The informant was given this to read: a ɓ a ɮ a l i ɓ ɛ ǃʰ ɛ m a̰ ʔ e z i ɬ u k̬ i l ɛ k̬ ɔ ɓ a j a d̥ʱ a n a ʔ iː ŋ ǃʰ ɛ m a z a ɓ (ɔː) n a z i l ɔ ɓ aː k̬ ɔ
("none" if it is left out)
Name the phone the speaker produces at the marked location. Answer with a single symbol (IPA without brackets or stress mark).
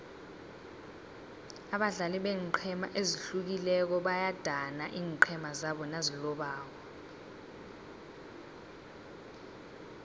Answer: ɔ